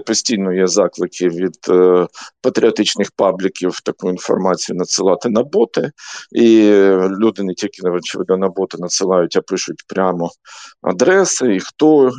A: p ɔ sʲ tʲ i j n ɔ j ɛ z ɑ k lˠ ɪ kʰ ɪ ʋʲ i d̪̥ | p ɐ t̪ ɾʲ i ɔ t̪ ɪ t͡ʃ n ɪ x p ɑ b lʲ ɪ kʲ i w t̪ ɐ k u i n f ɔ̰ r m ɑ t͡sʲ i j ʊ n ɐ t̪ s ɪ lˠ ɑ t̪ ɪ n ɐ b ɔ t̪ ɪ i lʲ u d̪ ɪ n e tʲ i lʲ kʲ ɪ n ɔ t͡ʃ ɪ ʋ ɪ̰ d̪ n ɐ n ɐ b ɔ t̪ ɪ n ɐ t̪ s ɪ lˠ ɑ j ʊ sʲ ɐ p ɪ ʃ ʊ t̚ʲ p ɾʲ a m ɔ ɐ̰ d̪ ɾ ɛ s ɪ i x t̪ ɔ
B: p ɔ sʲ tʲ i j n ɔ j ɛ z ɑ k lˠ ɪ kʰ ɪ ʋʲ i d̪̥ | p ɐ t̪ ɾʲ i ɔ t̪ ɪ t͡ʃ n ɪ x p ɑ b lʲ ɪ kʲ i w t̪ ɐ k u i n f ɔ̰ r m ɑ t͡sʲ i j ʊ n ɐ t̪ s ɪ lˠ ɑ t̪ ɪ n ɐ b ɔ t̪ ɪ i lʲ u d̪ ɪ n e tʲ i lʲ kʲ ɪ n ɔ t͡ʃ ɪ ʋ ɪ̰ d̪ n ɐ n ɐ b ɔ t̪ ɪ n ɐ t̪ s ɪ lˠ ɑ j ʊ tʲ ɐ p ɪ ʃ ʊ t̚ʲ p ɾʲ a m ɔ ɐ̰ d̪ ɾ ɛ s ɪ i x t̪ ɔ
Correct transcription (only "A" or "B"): B